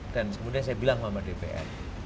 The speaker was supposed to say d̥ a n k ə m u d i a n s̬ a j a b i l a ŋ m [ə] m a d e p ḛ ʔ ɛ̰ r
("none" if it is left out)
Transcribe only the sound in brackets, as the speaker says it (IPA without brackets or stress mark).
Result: a